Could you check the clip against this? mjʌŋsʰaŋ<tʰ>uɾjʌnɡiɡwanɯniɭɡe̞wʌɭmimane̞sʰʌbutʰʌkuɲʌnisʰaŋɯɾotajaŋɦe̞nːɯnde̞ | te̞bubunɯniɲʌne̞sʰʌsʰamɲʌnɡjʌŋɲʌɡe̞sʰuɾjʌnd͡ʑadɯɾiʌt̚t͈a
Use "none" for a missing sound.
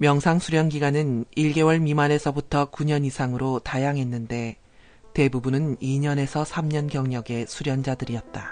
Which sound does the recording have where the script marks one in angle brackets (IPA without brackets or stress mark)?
sʰ